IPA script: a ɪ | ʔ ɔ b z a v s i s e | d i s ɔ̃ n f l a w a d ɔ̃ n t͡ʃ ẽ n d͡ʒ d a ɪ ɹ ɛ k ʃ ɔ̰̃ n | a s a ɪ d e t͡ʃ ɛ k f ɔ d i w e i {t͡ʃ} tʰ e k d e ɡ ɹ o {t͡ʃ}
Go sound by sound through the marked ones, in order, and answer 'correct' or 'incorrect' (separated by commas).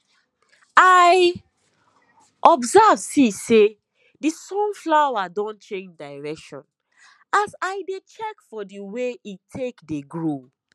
incorrect, incorrect